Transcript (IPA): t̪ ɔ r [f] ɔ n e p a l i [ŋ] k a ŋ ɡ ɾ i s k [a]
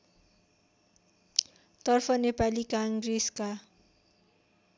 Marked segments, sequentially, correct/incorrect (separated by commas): correct, incorrect, correct